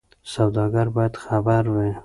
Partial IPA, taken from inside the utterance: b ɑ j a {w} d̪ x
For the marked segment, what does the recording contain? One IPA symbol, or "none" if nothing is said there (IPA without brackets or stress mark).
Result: none